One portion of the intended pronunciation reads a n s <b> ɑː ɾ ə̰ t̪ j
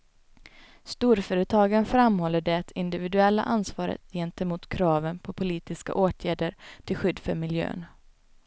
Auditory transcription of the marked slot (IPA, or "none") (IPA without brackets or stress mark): v